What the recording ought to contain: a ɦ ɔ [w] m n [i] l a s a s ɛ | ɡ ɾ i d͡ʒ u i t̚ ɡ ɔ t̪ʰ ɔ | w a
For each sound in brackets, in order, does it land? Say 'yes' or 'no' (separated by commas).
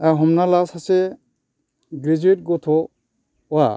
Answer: no, no